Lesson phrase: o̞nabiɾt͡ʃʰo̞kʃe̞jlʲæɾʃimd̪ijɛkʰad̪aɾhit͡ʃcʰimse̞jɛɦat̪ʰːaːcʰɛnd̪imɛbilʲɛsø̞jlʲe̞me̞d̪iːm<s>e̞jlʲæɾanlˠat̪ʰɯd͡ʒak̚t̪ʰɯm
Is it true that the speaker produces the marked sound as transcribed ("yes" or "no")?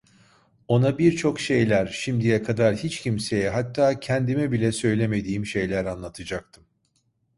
no